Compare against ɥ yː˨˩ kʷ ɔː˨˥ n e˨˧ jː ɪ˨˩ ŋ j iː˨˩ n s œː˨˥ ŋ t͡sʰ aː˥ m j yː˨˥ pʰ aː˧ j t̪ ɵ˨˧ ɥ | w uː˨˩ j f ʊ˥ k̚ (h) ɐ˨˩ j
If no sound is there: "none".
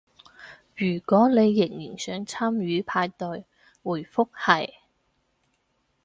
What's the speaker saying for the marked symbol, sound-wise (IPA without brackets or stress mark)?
h